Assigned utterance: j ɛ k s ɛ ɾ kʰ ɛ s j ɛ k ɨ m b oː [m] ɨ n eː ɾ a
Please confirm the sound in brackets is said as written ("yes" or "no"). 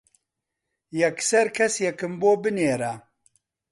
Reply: no